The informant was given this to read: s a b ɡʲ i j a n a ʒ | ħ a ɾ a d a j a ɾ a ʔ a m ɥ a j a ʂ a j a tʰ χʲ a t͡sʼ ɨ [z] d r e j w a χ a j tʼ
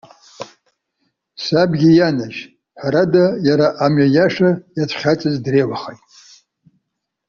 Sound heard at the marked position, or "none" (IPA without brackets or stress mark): z